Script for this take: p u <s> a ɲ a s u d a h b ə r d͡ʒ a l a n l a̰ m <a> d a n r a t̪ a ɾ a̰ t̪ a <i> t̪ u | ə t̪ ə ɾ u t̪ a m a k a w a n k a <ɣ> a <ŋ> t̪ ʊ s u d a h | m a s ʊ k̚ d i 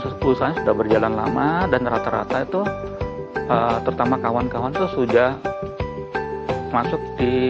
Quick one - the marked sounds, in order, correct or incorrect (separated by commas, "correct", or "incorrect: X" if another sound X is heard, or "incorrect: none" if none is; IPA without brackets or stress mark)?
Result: correct, correct, correct, incorrect: w, incorrect: n